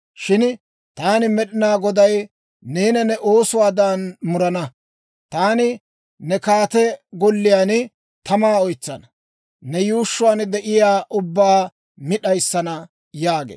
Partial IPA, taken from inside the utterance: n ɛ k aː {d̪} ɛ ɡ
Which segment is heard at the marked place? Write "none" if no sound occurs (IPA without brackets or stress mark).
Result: t̪